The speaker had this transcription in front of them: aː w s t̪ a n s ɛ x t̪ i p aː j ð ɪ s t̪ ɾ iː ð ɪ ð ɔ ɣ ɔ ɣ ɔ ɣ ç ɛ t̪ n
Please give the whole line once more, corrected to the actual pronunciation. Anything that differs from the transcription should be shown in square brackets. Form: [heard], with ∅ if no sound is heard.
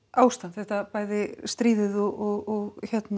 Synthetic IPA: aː w s t̪ a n [θ] ɛ [h] t̪ [a] p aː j ð ɪ s t̪ ɾ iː ð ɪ ð ɔ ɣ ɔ ɣ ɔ ɣ ç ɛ t̪ n